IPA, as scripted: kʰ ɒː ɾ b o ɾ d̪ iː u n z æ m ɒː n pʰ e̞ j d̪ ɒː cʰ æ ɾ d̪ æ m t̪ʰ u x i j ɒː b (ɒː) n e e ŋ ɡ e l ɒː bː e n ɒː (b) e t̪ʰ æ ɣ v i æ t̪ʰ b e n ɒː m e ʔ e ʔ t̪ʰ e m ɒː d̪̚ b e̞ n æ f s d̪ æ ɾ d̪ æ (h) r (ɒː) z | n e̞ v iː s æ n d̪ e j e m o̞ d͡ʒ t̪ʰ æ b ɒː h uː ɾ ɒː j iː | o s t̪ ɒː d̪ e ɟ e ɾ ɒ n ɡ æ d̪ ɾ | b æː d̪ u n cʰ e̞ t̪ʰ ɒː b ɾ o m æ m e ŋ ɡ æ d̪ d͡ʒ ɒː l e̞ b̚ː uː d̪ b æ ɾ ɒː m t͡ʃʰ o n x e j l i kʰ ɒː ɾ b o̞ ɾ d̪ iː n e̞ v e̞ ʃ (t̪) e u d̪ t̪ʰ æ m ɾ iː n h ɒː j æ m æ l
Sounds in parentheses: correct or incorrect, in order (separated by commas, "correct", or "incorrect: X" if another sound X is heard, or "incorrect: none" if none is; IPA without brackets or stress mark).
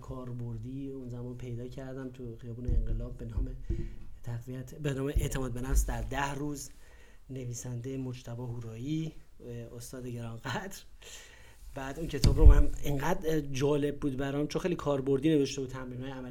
incorrect: uː, incorrect: m, correct, incorrect: uː, correct